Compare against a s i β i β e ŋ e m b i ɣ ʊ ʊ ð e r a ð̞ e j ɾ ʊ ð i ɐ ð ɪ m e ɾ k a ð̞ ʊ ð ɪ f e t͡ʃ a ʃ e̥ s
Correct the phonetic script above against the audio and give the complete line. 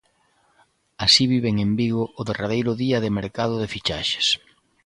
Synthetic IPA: a s i β i β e ŋ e m b i ɣ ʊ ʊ ð e r a ð̞ e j ɾ ʊ ð i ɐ ð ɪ m e ɾ k a ð̞ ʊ ð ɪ f i t͡ʃ a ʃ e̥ s